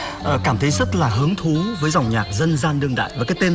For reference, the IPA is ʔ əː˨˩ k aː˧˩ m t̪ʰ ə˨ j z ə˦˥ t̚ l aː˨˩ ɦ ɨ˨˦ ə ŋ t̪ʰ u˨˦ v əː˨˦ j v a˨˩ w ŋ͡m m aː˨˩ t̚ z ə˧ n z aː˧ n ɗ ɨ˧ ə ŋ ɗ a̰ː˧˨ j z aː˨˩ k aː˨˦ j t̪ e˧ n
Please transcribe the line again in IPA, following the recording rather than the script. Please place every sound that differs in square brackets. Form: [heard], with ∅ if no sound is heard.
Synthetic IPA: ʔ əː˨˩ k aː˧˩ m t̪ʰ [ə˨˦] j z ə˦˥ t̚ l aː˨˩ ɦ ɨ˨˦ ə ŋ t̪ʰ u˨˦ v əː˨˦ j [z] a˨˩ w ŋ͡m [ɲ] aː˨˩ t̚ z ə˧ n z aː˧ n ɗ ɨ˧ ə ŋ ɗ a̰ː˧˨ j [v] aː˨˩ k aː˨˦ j t̪ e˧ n